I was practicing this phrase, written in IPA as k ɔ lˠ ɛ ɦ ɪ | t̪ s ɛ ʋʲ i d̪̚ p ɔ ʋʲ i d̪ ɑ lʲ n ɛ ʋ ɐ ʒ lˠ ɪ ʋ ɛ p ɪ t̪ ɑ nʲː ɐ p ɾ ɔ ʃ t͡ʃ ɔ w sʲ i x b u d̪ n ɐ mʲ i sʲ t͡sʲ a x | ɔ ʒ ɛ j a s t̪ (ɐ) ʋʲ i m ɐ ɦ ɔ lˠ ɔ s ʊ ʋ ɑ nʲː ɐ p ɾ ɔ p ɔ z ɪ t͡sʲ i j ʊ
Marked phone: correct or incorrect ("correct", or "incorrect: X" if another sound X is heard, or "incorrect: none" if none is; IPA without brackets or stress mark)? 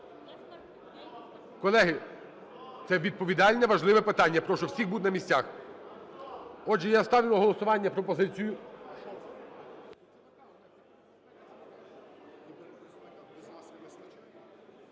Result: incorrect: ɑ